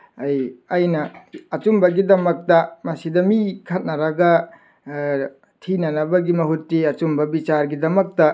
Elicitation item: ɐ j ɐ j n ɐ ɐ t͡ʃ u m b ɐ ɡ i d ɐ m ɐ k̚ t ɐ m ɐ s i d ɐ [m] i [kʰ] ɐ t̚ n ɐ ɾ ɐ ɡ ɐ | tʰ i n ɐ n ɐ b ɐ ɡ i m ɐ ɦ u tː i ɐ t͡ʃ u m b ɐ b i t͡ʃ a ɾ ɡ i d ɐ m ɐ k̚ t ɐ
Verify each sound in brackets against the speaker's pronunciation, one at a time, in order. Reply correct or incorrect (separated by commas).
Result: correct, correct